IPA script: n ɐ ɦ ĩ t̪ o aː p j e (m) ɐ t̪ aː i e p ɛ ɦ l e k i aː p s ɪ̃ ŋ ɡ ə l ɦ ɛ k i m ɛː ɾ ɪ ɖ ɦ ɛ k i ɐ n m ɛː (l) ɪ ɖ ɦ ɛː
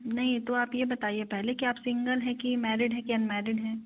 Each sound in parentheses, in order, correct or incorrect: incorrect: b, incorrect: ɾ

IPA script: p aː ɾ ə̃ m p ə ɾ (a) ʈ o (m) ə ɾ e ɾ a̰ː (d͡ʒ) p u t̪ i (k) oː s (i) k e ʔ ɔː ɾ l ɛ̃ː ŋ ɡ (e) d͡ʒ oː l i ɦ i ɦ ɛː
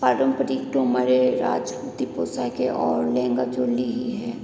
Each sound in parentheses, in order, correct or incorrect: incorrect: i, correct, correct, incorrect: p, incorrect: a, incorrect: a

